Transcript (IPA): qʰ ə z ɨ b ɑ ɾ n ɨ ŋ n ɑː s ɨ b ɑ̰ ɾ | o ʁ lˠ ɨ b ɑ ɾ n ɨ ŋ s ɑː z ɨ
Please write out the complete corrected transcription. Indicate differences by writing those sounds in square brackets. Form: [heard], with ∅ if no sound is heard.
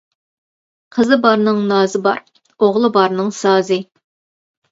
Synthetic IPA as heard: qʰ ə z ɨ b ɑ ɾ n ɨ ŋ n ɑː [z] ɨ b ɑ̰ ɾ | o ʁ lˠ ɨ b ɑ ɾ n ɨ ŋ s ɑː z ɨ